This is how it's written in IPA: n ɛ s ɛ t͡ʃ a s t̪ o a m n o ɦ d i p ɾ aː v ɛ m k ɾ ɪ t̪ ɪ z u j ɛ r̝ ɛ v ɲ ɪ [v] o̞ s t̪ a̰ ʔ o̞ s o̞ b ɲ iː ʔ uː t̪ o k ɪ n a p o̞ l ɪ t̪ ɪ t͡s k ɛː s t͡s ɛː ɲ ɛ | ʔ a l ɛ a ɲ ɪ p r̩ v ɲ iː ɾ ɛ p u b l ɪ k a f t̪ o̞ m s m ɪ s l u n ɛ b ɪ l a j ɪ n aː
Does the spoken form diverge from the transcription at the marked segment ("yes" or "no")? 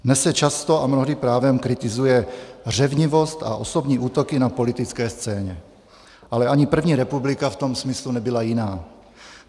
no